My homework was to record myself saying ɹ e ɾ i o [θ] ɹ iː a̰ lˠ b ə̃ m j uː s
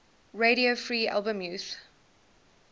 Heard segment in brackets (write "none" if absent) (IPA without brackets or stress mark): f